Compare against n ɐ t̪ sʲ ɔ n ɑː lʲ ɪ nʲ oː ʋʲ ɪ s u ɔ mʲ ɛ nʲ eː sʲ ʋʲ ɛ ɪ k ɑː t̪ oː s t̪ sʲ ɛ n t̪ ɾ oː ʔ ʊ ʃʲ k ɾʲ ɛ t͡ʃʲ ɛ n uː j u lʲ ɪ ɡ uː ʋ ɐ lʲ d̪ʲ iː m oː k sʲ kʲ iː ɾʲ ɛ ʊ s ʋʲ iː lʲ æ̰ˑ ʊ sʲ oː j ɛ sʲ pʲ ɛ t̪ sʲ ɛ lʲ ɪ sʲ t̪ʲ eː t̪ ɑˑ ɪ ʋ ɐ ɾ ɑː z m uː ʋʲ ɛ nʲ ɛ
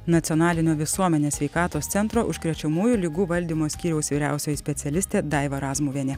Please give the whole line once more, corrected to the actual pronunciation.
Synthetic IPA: n ɐ t̪ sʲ ɔ n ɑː lʲ ɪ nʲ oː ʋʲ ɪ s u ɔ mʲ ɛ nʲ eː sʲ ʋʲ ɛ ɪ k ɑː t̪ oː s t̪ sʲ ɛ n t̪ ɾ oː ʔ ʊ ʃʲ k ɾʲ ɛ t͡ʃʲ ɛ m uː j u lʲ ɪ ɡ uː ʋ ɐ lʲ d̪ʲ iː m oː sʲ kʲ iː ɾʲ ɛ ʊ s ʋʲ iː ɾʲ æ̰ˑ ʊ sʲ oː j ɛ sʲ pʲ ɛ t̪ sʲ ɛ lʲ ɪ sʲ t̪ʲ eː d̪ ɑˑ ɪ ʋ ɐ ɾ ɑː z m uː ʋʲ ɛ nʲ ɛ